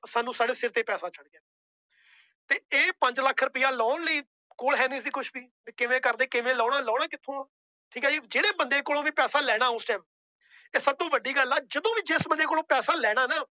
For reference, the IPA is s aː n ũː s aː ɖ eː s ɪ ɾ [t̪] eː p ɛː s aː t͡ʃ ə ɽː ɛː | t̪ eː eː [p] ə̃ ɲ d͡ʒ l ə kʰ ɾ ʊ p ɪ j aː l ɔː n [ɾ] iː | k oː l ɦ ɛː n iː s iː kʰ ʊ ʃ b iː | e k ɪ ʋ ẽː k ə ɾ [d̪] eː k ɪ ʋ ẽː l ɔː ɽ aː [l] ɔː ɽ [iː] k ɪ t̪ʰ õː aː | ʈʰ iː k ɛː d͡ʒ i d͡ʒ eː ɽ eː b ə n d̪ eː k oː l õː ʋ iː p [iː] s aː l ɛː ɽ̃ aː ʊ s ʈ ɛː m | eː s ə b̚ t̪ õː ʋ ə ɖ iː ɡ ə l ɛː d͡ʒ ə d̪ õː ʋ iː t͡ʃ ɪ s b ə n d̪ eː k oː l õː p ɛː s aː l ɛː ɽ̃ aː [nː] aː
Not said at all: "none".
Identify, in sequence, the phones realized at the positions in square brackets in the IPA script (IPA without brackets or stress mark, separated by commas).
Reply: t̪, p, l, d̪, l, aː, ɛː, n